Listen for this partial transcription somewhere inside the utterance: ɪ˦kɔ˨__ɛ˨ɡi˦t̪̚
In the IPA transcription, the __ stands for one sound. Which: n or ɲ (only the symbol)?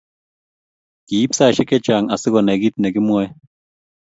n